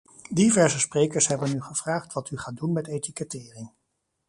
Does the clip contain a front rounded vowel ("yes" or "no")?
yes